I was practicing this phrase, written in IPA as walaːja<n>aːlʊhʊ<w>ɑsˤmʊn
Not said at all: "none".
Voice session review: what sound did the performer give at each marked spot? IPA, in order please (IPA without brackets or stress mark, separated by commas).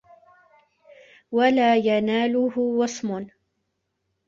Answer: n, w